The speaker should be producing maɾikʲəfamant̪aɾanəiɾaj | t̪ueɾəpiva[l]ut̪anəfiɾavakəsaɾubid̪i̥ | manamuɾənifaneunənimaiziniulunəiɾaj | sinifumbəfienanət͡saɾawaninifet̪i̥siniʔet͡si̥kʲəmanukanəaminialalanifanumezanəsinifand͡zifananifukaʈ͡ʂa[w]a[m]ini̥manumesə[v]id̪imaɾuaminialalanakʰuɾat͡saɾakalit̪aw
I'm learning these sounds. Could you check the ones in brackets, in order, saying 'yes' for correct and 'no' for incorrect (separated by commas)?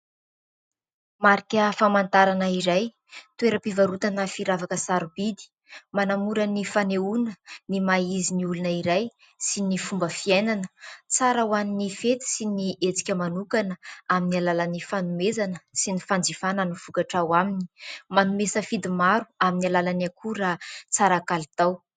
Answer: no, yes, yes, no